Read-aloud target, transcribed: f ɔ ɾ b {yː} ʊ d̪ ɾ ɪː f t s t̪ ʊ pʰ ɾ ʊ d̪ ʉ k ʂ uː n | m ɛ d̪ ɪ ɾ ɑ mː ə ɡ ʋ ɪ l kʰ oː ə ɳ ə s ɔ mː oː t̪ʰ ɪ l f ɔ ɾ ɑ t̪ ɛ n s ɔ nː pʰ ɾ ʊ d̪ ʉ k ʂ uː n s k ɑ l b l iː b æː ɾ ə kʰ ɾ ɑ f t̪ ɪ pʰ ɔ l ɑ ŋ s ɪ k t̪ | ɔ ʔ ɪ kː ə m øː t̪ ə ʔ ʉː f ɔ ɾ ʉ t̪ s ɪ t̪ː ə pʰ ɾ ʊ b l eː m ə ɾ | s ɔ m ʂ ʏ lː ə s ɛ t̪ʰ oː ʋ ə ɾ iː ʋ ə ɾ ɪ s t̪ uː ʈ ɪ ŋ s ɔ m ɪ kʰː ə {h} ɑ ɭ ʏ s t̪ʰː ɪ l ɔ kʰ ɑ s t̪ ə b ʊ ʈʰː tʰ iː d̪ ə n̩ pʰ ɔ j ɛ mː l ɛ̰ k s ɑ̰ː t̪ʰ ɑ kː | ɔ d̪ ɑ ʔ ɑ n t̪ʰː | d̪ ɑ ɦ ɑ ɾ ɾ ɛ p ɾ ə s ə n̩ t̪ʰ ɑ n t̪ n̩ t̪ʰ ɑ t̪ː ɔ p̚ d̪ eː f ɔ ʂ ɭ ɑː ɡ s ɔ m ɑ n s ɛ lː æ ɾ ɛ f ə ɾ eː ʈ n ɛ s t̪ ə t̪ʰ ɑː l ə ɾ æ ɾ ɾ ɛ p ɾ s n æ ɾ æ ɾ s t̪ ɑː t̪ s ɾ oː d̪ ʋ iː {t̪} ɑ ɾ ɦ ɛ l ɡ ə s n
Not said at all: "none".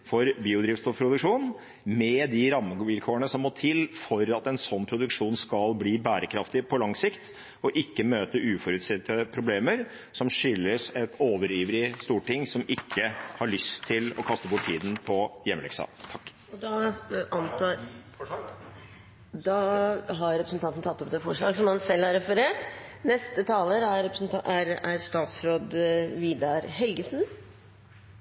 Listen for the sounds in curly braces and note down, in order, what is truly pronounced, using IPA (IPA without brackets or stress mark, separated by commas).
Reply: iː, h, d̪